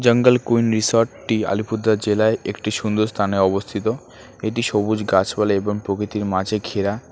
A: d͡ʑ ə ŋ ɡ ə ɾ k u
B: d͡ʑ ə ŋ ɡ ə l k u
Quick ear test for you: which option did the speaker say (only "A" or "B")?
B